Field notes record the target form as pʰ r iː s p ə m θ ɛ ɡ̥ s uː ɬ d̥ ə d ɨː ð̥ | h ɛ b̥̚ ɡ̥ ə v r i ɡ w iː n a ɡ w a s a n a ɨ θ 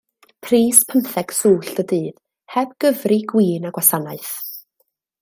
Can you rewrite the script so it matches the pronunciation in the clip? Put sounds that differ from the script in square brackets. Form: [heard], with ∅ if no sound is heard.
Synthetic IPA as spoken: pʰ r iː s [pʰ] ə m θ ɛ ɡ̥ s uː ɬ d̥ ə d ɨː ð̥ | h ɛ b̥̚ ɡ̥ ə v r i ɡ w iː n a ɡ w a s a n a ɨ θ